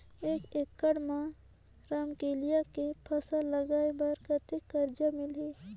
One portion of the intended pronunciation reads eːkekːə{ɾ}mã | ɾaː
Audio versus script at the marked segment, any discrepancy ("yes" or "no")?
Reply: yes